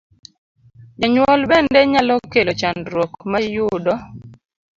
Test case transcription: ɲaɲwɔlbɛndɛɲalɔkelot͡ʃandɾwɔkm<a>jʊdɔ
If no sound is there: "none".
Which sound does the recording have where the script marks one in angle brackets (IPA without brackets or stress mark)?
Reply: a